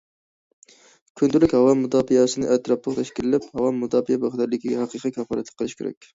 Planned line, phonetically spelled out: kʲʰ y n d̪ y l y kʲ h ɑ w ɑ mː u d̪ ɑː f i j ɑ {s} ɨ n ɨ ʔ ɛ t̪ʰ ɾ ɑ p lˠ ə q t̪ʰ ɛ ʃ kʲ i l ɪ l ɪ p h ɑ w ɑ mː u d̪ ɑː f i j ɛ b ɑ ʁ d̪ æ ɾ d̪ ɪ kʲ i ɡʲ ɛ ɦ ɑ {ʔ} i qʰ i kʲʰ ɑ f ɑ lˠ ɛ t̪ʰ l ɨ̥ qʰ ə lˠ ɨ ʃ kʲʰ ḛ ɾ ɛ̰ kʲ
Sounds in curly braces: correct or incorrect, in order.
correct, incorrect: q

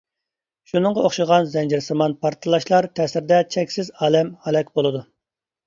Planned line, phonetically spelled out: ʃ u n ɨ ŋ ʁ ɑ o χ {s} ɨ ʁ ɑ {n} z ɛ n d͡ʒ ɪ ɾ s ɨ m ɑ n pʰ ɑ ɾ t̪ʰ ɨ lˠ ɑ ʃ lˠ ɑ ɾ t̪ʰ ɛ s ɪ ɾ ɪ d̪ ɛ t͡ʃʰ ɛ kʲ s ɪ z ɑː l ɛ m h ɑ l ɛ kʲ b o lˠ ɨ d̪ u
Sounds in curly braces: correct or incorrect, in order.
incorrect: ʃ, correct

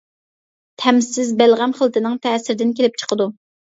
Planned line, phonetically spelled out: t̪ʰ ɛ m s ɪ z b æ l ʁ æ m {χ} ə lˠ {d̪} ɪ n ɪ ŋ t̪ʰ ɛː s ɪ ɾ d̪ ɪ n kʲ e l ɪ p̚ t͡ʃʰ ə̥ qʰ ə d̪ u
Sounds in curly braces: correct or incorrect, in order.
correct, incorrect: t̪

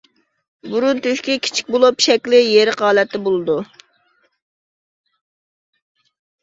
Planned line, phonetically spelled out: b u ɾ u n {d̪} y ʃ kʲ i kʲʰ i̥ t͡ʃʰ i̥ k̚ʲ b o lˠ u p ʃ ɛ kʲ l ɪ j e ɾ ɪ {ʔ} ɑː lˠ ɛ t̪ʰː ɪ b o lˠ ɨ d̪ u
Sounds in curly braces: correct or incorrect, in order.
incorrect: t̪, incorrect: q

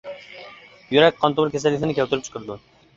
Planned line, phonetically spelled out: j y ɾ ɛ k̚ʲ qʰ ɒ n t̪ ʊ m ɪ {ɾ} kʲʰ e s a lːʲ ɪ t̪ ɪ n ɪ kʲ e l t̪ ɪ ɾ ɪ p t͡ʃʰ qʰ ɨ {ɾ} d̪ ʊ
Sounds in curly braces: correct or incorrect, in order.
correct, correct

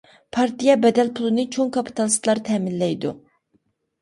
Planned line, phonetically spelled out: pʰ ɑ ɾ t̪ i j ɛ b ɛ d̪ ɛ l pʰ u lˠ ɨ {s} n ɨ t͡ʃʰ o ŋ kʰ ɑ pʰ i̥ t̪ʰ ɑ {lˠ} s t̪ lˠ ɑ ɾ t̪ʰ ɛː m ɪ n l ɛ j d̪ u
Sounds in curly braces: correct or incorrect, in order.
incorrect: none, correct

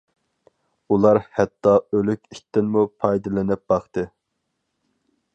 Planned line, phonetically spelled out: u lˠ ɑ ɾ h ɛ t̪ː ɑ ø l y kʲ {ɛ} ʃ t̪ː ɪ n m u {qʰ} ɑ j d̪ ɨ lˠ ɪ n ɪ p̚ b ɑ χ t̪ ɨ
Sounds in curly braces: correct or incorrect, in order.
incorrect: i, incorrect: pʰ

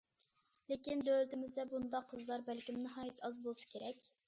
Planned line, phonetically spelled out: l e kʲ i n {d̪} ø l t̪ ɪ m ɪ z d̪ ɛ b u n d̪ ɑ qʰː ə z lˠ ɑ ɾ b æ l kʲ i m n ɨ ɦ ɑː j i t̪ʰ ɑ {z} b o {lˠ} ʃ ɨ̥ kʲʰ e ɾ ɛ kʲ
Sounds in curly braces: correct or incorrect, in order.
correct, correct, correct

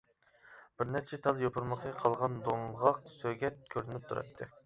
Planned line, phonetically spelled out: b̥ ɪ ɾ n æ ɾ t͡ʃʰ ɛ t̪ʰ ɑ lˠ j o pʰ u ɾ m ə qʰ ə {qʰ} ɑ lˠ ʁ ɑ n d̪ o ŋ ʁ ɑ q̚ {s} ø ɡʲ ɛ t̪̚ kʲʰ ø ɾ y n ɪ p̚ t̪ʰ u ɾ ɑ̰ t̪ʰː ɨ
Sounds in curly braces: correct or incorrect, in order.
correct, correct

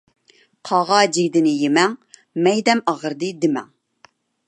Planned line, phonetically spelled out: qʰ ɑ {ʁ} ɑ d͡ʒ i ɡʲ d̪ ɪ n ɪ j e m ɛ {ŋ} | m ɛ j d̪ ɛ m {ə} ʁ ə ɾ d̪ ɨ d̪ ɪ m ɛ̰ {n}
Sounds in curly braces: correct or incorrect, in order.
correct, correct, incorrect: ɑ, incorrect: ŋ

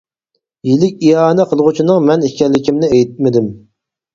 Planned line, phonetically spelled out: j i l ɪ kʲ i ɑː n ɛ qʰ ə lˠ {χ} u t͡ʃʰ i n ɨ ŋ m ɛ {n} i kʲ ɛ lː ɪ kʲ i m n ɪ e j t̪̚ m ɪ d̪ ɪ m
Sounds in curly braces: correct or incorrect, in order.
incorrect: ʁ, correct

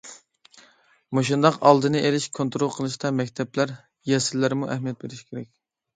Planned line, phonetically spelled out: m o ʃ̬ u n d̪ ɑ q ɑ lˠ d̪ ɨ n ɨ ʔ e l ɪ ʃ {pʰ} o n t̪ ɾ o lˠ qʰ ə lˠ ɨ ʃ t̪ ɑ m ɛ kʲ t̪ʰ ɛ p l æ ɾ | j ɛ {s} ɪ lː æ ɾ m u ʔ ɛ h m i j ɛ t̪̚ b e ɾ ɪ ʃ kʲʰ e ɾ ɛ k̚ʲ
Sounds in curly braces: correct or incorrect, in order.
incorrect: kʰ, correct

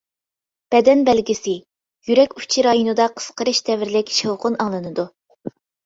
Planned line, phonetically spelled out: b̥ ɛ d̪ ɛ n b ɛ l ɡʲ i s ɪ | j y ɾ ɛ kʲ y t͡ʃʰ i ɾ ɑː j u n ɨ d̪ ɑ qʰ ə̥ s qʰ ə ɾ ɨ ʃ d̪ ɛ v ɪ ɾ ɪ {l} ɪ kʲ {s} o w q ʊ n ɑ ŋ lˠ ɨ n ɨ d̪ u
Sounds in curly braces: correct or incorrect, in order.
correct, incorrect: ʃ

